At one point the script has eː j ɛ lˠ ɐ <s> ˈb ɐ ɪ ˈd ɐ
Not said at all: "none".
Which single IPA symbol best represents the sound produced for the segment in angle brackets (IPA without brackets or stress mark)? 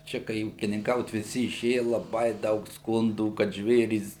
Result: none